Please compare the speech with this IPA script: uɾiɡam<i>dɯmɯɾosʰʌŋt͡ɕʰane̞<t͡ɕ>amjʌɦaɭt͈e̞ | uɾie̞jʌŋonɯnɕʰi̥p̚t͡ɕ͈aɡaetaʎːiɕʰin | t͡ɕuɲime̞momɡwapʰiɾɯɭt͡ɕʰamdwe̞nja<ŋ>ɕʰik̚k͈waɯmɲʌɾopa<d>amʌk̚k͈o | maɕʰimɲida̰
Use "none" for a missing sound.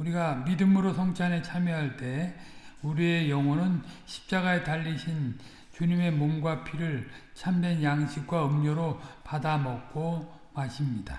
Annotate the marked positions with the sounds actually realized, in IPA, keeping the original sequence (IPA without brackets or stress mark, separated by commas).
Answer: i, t͡ɕʰ, ŋ, d